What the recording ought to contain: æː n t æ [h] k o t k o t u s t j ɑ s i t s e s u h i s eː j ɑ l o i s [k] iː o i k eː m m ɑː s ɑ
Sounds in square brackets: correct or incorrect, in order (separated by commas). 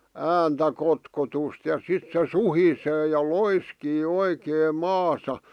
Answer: incorrect, correct